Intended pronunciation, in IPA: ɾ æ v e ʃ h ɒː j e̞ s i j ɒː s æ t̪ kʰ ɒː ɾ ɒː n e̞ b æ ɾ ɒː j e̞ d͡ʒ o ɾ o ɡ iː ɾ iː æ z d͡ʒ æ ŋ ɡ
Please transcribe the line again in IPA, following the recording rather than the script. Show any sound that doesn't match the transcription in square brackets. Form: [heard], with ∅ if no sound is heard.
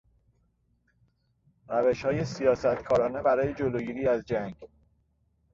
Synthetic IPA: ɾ æ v e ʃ h ɒː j e̞ s i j ɒː s æ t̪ kʰ ɒː ɾ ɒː n e̞ b æ ɾ ɒː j e̞ d͡ʒ o [l] o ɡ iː ɾ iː æ z d͡ʒ æ ŋ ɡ